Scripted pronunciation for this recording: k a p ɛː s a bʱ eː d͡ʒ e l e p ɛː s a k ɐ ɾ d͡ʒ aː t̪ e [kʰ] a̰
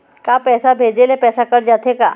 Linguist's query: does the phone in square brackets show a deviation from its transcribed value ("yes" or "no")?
yes